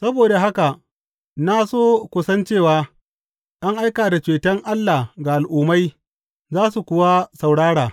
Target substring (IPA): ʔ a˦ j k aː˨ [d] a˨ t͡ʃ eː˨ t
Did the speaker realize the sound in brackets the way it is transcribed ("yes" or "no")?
yes